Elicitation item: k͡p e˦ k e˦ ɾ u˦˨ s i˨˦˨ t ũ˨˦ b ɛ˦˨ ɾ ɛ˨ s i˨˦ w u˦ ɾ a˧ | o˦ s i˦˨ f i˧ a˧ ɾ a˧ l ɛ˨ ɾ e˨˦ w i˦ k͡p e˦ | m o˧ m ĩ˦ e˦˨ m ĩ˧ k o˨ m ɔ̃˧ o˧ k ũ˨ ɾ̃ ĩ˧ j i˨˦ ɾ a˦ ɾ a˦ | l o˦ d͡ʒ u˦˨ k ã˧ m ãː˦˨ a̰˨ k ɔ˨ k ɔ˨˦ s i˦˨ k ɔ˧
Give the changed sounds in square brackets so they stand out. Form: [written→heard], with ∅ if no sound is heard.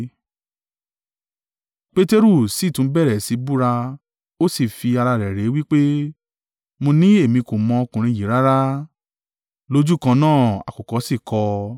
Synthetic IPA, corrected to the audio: k͡p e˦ [k→t] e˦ ɾ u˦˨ s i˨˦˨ t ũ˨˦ b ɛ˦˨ ɾ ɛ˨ s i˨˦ [w→b] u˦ ɾ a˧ | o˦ s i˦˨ f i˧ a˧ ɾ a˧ [l→ɾ] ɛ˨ ɾ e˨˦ w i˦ k͡p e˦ | m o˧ [m→n] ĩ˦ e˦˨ m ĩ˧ k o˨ m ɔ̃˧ o˧ k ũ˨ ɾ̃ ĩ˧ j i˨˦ ɾ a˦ ɾ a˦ | l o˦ d͡ʒ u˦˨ k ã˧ [m→n] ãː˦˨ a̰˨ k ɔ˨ k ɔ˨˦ s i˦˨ k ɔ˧